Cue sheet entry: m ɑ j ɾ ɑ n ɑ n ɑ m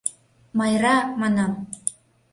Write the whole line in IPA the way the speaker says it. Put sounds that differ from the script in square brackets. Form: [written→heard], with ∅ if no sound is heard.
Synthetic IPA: m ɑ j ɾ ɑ [n→m] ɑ n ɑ m